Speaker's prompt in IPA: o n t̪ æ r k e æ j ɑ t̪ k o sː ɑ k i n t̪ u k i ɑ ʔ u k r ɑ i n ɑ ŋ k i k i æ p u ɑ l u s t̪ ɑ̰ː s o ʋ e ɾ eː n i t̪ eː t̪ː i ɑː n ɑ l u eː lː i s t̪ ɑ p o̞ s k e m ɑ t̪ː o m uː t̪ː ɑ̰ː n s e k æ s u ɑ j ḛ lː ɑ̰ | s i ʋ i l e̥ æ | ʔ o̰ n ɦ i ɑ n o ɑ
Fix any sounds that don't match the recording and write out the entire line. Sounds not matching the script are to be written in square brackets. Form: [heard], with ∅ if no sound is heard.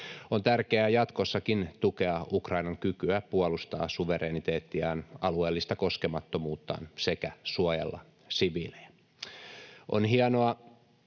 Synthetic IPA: o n t̪ æ r k e æ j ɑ t̪ k o sː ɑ k i n t̪ u k [e] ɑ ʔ u k r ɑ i n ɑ ŋ k [y] k [y] æ p u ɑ l u s t̪ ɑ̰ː s [u] ʋ e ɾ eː n i t̪ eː t̪ː i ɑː n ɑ l u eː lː i s t̪ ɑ [k] o̞ s k e m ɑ t̪ː o m uː t̪ː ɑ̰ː n s e k æ s u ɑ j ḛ lː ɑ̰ | s i ʋ i l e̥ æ | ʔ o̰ n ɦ i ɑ n o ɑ